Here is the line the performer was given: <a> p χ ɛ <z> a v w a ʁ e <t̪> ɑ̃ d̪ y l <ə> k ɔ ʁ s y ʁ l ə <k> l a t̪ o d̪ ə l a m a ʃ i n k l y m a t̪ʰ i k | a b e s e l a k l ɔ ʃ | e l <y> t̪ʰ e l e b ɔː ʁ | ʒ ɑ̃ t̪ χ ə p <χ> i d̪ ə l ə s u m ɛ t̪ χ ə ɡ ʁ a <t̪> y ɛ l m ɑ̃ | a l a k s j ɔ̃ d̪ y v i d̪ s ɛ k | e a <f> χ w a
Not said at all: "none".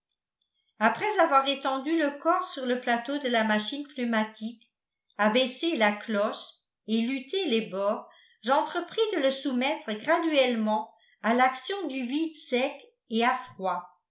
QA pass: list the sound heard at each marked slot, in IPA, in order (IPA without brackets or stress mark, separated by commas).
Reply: a, z, t̪, ə, p, y, χ, d̪, f